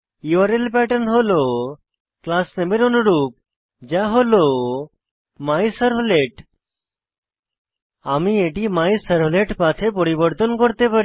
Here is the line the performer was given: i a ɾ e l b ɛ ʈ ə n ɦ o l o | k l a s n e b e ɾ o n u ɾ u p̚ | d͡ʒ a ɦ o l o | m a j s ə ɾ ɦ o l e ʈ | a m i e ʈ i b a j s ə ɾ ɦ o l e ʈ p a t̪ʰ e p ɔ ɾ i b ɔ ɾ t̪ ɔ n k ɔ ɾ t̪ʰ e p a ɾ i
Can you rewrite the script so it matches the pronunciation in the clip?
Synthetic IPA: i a ɾ e l p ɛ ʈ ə n ɦ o l o | k l a s n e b e ɾ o n u ɾ u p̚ | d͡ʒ a ɦ o l o | m a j s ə ɾ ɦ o l e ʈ | a m i e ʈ i m a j s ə ɾ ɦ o l e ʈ p a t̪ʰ e p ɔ ɾ i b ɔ ɾ t̪ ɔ n k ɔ ɾ t̪ e p a ɾ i